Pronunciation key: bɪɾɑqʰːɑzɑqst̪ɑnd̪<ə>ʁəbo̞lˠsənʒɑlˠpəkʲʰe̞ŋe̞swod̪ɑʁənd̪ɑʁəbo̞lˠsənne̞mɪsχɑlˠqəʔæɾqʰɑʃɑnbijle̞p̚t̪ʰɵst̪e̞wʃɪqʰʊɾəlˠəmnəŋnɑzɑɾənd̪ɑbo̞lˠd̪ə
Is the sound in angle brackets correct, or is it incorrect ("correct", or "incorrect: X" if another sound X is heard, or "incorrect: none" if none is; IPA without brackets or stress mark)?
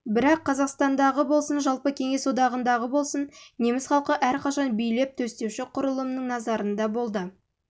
incorrect: ɑ